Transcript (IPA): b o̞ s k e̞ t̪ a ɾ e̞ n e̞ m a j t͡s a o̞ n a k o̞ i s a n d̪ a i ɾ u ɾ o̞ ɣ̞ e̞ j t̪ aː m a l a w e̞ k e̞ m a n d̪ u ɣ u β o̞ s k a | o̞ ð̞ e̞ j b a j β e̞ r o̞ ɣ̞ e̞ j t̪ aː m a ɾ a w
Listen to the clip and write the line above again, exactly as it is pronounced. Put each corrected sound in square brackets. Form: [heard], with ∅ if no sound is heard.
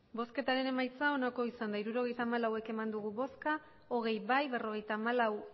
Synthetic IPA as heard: b o̞ s k e̞ t̪ a ɾ e̞ n e̞ m a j t͡s a o̞ n a k o̞ i s a n d̪ a i ɾ u ɾ o̞ ɣ̞ e̞ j t̪ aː m a l a w e̞ k e̞ m a n d̪ u ɣ u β o̞ s k a | o̞ [ɣ̞] e̞ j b a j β e̞ r o̞ ɣ̞ e̞ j t̪ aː m a [l] a w